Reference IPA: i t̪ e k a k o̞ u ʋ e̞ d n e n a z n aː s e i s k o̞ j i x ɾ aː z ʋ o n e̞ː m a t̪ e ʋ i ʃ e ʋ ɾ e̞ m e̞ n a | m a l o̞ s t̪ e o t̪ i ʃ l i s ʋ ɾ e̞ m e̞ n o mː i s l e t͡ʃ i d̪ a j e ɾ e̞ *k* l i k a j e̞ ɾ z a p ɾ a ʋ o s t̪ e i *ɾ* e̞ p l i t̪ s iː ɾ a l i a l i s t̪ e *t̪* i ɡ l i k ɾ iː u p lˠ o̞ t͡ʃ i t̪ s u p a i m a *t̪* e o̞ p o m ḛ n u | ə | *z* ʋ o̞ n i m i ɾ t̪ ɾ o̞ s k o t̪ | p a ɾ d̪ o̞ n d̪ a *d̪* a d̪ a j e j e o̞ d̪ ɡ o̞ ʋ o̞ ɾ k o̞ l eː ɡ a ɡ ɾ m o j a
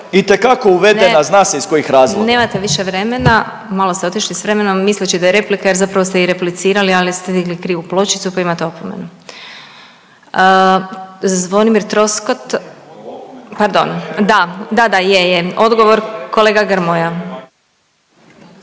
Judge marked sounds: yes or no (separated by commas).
no, yes, no, yes, yes, yes